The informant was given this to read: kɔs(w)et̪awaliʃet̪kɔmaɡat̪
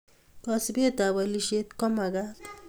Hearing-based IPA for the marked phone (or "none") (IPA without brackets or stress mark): b